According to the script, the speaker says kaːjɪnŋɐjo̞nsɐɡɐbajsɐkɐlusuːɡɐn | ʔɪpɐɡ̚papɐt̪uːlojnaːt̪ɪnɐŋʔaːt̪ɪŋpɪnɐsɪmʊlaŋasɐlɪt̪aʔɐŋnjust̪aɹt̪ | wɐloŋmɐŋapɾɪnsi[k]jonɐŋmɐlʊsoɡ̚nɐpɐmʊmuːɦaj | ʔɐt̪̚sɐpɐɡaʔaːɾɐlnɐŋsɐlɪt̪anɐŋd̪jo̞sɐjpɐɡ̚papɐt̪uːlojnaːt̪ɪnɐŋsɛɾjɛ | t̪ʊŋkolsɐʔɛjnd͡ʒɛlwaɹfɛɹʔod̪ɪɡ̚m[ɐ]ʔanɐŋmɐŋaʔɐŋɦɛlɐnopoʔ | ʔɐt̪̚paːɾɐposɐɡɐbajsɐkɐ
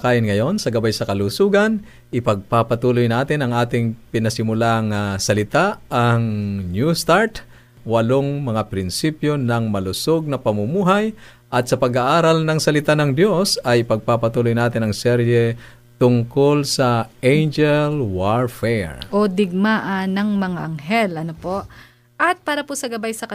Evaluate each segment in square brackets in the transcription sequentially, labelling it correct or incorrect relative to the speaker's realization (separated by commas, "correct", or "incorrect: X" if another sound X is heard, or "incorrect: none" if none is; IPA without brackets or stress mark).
incorrect: p, incorrect: a